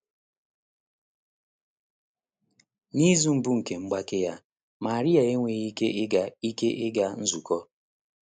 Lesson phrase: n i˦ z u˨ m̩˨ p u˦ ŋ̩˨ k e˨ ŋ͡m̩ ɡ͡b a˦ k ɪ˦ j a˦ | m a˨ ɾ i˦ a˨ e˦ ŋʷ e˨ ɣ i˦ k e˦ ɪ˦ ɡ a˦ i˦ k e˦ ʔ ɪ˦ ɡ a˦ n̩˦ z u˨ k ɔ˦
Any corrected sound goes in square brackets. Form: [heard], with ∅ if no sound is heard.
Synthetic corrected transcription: n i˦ z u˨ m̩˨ [b] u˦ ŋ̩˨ k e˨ ŋ͡m̩ ɡ͡b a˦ k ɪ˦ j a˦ | m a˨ ɾ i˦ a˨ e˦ ŋʷ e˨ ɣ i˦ k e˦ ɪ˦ ɡ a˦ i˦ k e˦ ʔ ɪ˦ ɡ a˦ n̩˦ z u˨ k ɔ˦